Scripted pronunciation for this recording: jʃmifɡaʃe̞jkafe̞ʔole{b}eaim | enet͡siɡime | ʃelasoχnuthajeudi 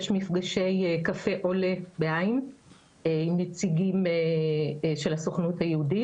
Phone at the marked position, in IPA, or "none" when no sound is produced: b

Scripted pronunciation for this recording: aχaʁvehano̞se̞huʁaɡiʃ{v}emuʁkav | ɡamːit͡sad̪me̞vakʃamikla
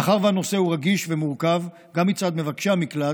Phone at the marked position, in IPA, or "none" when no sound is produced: v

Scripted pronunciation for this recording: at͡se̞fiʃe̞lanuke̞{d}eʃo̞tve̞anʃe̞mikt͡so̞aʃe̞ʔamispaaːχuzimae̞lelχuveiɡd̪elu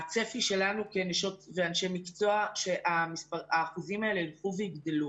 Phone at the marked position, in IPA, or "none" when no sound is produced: n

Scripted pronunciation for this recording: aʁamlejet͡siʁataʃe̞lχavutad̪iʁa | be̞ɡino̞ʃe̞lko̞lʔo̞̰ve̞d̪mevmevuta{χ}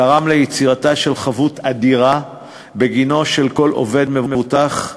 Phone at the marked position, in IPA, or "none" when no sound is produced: χ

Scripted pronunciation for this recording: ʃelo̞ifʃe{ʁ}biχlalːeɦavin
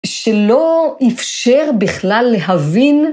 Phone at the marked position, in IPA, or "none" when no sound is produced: ʁ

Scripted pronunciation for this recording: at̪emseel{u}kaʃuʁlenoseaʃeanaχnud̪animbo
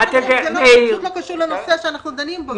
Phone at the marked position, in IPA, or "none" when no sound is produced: o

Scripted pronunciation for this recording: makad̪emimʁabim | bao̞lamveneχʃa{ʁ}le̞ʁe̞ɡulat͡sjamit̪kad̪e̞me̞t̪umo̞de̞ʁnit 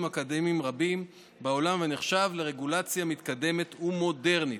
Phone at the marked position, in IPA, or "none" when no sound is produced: v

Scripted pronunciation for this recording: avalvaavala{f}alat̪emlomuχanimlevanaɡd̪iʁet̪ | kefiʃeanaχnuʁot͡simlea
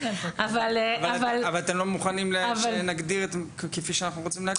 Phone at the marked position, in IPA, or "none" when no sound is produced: v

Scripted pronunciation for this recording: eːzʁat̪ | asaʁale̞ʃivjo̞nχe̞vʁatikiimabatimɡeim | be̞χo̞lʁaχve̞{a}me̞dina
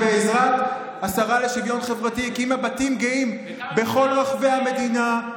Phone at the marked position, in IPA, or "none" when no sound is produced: a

